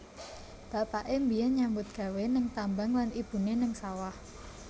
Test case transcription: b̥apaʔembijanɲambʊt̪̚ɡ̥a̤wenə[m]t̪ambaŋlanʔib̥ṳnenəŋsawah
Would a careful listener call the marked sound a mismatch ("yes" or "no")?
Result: yes